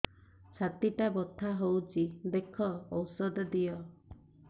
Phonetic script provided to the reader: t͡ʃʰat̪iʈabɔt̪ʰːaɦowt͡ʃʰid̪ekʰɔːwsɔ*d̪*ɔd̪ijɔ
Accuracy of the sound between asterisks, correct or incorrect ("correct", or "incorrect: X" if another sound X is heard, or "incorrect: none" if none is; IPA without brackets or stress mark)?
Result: correct